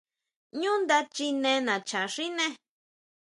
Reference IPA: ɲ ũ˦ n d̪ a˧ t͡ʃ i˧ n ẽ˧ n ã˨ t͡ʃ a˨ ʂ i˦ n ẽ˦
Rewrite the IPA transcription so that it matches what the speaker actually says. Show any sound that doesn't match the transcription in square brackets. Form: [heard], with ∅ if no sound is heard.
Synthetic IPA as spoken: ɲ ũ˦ n d̪ a˧ t͡ʃ i˧ n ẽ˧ n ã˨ t͡ʃ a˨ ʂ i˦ n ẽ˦